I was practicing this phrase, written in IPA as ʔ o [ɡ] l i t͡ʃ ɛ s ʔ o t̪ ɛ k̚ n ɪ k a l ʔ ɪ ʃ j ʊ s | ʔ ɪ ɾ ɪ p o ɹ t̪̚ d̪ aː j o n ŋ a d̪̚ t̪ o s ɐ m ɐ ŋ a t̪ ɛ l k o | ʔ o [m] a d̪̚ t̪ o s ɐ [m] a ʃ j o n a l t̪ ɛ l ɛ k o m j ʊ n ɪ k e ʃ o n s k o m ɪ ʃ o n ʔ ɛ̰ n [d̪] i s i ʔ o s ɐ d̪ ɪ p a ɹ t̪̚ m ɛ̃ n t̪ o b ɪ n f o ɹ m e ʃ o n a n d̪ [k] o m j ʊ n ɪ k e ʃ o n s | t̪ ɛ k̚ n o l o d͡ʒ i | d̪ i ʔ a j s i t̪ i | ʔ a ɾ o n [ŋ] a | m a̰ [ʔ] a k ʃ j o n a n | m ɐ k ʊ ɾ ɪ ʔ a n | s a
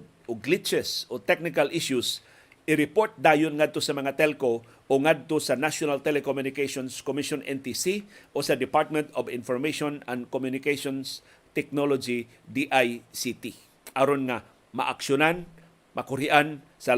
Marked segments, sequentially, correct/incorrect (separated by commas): correct, incorrect, incorrect, incorrect, correct, correct, correct